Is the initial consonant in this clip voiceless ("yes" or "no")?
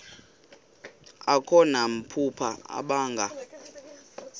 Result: yes